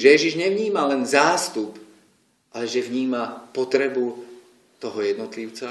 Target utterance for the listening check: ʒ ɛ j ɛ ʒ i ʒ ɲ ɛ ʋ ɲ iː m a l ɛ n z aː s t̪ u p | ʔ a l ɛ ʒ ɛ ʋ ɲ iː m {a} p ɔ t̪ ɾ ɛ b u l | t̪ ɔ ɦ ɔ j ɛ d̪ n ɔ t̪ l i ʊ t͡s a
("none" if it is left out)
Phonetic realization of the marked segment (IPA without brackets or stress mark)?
a